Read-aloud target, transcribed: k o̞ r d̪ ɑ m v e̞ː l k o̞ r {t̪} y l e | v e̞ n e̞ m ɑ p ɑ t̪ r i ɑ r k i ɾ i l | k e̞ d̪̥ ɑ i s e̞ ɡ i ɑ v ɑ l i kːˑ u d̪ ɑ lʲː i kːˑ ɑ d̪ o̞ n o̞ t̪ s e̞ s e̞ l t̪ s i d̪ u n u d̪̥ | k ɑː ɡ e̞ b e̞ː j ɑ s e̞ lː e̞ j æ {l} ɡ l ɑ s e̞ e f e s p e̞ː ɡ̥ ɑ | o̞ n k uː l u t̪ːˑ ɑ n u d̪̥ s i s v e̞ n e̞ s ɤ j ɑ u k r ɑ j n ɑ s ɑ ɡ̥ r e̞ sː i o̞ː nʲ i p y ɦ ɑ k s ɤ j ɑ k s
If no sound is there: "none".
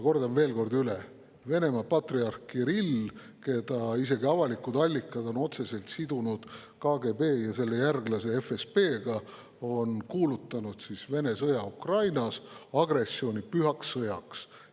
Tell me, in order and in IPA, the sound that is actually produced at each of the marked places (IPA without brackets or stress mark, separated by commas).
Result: d̪, r